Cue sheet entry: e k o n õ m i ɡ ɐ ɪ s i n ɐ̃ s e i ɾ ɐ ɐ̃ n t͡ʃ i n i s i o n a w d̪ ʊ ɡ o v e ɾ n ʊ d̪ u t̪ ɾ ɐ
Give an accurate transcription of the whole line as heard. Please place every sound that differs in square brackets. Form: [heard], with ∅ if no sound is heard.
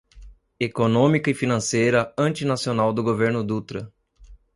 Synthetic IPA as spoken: e k o n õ m i [k] ɐ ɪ [f] i n ɐ̃ s e [j] ɾ ɐ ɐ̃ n t͡ʃ i n [a] s i o n a w d̪ ʊ ɡ o v e ɾ n ʊ d̪ u t̪ ɾ ɐ